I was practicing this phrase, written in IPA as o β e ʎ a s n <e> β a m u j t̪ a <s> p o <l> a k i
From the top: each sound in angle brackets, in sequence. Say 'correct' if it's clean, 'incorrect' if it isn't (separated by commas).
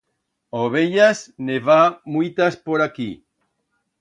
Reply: correct, correct, incorrect